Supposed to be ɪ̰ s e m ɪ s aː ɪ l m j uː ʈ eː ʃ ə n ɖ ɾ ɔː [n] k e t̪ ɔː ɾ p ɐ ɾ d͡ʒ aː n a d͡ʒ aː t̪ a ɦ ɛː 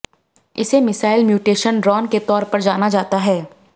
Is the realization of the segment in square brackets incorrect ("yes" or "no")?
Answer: no